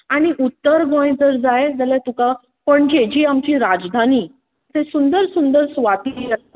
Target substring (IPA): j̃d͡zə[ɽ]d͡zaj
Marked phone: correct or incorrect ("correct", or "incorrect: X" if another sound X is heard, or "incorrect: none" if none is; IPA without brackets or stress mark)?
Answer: incorrect: ɾ